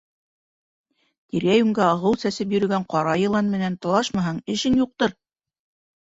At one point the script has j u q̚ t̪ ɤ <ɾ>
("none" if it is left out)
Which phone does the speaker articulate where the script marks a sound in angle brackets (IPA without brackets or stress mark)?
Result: ɾ